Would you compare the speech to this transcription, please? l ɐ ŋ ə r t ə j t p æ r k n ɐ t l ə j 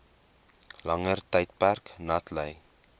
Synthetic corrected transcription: l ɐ ŋ ə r t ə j t p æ r k n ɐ t l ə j